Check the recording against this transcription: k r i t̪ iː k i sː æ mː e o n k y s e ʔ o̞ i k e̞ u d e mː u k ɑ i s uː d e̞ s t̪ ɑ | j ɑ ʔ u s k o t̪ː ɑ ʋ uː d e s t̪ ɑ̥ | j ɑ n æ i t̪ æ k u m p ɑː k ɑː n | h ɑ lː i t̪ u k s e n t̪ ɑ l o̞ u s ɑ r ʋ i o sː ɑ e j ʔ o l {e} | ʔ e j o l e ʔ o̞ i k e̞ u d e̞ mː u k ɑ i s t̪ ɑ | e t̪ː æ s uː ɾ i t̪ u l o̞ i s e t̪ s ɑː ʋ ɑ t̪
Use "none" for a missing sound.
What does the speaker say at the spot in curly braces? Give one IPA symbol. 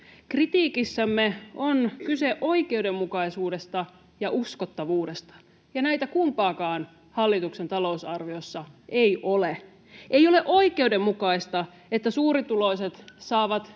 e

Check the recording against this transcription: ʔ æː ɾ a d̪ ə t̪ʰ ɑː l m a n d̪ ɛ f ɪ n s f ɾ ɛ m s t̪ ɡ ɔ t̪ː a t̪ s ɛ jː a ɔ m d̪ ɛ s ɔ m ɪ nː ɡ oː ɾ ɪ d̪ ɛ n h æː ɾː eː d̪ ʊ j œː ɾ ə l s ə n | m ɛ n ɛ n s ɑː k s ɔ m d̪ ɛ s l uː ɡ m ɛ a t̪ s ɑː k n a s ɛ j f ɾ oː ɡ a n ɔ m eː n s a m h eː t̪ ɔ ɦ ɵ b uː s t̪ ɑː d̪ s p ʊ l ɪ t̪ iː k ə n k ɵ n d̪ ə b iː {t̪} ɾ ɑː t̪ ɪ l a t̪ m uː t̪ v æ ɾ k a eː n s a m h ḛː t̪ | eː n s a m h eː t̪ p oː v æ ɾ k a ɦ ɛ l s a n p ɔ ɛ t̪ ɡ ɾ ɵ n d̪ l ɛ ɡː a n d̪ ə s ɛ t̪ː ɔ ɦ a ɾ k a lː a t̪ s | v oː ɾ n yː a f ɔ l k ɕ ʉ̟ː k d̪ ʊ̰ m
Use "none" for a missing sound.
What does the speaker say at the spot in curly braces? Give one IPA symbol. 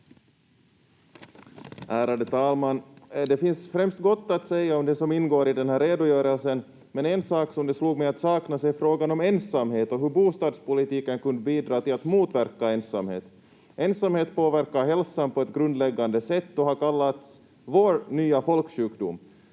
d̪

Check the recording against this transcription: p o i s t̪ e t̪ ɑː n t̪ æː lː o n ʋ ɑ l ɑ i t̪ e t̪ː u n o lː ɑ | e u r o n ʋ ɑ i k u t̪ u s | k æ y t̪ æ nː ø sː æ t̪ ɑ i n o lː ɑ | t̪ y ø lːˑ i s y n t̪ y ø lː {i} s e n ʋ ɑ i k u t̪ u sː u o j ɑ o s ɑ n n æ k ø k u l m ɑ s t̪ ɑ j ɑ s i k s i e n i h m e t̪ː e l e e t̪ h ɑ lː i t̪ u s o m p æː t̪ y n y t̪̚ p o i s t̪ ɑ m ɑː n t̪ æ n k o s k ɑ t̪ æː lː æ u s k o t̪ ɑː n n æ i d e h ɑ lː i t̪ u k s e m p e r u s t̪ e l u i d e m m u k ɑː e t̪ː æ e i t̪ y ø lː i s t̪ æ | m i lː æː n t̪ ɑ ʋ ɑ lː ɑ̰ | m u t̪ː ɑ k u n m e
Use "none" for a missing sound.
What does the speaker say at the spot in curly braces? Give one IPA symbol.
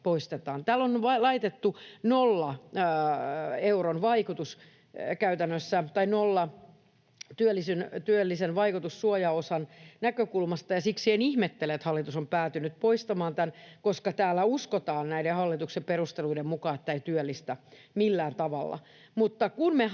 i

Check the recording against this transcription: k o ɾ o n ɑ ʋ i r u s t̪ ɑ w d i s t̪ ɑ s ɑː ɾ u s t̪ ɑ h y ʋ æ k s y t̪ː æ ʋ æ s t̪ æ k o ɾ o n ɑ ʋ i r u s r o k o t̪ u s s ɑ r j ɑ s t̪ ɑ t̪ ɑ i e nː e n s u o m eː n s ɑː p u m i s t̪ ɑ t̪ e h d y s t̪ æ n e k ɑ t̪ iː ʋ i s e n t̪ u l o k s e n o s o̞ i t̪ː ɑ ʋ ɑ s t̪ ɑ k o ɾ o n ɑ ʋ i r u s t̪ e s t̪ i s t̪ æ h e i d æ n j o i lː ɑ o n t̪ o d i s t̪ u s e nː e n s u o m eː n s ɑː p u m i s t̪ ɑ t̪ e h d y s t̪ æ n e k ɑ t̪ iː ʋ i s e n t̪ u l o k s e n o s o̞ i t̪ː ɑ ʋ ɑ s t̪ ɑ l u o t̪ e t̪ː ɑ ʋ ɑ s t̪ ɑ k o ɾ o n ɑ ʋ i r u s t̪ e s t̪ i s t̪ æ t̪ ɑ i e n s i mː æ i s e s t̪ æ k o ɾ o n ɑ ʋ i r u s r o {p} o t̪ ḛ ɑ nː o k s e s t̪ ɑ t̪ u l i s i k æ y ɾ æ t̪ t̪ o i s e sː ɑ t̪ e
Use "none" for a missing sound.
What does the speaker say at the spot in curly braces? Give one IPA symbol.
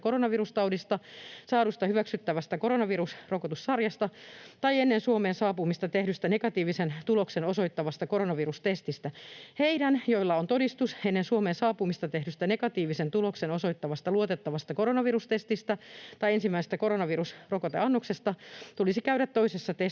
k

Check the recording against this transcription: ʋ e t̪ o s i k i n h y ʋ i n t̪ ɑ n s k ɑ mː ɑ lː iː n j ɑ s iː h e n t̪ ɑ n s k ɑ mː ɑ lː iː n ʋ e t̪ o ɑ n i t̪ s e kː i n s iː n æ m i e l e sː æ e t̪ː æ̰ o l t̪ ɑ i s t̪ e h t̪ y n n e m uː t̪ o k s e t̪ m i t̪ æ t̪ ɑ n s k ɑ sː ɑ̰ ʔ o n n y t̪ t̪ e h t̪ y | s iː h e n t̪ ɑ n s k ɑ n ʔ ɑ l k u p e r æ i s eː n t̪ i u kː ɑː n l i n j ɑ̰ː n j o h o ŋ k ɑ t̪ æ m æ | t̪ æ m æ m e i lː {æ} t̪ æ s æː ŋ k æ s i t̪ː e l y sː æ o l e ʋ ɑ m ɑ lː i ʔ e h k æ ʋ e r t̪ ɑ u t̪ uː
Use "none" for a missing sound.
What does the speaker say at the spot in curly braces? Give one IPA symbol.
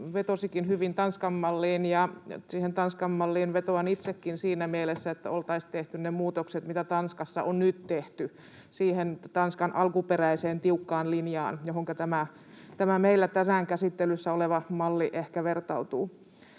æ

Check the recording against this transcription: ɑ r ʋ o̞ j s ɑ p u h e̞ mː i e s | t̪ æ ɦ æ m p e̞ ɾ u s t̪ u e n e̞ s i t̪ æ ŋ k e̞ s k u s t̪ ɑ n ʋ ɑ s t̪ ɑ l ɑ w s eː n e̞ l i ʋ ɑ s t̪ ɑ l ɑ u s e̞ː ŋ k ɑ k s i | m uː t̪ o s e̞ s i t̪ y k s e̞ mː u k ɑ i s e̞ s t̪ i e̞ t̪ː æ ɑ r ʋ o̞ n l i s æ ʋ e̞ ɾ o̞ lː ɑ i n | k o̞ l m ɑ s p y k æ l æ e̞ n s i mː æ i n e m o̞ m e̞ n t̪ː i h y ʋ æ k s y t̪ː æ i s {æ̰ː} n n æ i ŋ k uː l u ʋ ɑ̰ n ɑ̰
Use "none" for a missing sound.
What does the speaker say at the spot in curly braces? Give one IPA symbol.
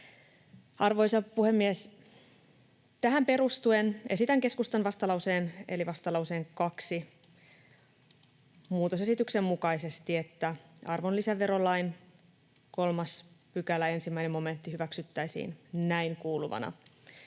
ḭː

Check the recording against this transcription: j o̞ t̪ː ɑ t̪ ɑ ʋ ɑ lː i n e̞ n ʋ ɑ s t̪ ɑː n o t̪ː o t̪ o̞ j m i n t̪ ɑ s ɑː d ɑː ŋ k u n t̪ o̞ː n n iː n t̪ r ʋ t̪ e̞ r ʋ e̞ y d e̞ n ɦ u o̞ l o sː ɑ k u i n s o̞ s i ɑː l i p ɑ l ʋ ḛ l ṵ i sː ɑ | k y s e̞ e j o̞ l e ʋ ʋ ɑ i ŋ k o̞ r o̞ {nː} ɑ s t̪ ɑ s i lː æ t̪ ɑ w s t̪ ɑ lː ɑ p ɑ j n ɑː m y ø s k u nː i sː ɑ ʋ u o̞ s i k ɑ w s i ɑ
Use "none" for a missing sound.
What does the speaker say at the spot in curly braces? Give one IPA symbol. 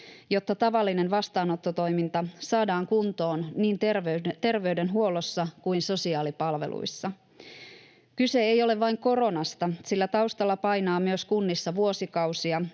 n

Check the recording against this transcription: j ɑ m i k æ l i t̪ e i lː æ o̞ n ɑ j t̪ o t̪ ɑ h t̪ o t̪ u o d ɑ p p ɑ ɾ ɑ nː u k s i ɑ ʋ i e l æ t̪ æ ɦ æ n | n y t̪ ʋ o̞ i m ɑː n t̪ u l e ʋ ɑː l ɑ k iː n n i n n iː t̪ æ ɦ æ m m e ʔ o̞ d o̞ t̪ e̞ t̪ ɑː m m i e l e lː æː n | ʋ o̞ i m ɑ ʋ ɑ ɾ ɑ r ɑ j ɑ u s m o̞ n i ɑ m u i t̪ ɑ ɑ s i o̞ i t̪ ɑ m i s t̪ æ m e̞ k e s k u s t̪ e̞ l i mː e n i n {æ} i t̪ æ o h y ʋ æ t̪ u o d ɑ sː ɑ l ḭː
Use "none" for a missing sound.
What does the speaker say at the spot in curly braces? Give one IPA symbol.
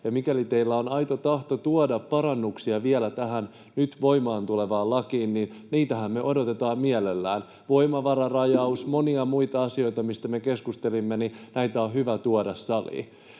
æ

